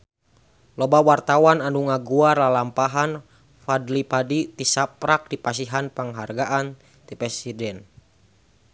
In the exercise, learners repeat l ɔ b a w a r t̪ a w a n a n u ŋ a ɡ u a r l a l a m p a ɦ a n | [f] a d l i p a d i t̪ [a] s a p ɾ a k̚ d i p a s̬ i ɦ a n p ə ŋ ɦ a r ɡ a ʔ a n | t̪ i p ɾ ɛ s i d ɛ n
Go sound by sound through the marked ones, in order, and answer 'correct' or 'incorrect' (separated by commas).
correct, incorrect